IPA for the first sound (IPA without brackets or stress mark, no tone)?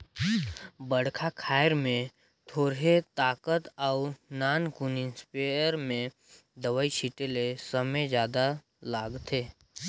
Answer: b